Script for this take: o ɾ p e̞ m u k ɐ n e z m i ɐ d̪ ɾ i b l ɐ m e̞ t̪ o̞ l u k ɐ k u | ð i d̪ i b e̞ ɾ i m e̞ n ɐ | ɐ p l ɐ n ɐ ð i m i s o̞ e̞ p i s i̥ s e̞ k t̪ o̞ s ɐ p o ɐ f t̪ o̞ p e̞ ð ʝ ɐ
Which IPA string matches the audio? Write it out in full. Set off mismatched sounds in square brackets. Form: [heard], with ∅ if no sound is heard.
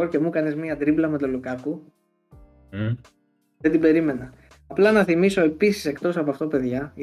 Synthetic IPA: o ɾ [c] e̞ m u k ɐ n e z m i ɐ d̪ ɾ i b l ɐ m e̞ t̪ o̞ l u k ɐ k u | ð [e] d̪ i b e̞ ɾ i m e̞ n ɐ | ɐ p l ɐ n ɐ [θ] i m i s o̞ e̞ p i s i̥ s e̞ k t̪ o̞ s ɐ p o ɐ f t̪ o̞ p e̞ ð ʝ ɐ